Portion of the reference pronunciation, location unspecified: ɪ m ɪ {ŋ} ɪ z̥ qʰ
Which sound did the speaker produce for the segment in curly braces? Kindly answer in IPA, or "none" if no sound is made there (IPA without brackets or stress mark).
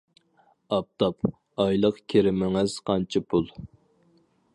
ŋ